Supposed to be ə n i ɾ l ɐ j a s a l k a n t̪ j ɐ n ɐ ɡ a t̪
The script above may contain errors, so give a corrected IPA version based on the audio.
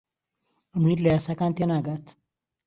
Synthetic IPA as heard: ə m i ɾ l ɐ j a s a k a n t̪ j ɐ n a ɡ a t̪